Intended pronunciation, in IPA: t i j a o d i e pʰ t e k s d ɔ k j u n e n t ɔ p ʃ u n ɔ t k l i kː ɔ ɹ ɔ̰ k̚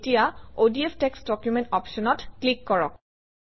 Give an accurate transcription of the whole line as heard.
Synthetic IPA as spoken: t i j a o d i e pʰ t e k s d ɔ k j u m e n t ɔ p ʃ ɔ n ɔ t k l i kː ɔ ɹ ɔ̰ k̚